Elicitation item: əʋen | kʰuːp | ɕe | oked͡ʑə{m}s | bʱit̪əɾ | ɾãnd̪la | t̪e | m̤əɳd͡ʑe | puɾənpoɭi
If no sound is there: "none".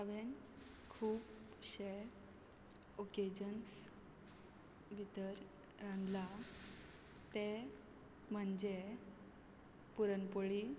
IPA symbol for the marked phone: n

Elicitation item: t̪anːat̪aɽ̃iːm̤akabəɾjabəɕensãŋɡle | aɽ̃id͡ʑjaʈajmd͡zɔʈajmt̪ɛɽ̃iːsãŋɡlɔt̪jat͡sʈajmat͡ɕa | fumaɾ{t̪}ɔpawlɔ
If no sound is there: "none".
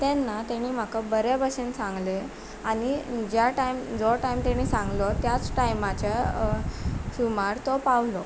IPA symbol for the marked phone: t̪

